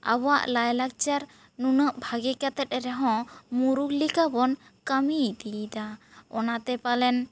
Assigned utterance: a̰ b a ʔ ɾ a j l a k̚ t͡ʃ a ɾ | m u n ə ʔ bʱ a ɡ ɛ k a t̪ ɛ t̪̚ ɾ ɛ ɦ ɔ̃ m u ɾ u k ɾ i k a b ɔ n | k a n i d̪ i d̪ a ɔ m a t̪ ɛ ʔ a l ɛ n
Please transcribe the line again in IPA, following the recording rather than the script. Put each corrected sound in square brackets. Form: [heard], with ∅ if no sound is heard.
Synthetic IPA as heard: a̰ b a ʔ [l] a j l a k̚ t͡ʃ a ɾ | [n] u n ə ʔ bʱ a ɡ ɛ k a t̪ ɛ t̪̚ ɾ ɛ ɦ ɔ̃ m u ɾ u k [l] i k a b ɔ n | k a [m] i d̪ i d̪ a ɔ [n] a t̪ ɛ [p] a l ɛ n